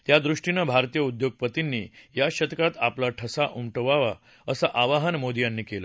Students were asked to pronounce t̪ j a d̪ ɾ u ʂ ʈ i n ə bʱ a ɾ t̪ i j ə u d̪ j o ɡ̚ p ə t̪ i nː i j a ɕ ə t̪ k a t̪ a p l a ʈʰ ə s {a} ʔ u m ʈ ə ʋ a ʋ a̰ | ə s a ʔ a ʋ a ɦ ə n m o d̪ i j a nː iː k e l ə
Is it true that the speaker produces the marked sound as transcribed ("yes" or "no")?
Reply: yes